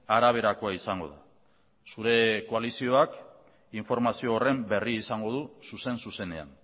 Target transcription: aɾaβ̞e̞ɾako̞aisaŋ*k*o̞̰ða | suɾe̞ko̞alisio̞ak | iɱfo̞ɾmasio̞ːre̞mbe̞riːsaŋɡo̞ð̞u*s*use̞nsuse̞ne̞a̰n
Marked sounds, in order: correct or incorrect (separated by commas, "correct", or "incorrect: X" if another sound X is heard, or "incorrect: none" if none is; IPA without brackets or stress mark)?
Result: incorrect: ɡ, correct